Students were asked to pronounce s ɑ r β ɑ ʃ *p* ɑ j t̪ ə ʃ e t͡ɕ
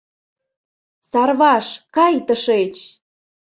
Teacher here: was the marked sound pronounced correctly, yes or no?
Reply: no